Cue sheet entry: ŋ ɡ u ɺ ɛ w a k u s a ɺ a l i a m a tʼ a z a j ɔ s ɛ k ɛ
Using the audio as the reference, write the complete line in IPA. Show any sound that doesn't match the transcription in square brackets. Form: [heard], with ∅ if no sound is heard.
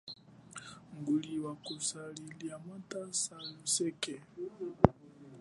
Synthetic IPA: ŋ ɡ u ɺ [i] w a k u s a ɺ [i] l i a m a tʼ a [s] a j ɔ s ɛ k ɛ